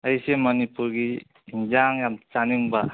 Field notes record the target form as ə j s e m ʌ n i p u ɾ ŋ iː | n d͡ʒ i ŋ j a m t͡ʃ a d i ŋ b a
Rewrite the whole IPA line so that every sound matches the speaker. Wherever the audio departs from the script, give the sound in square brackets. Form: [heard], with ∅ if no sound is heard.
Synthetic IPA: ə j s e m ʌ n i p u ɾ [ɡ] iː | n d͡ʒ [a] ŋ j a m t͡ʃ a [n] i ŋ b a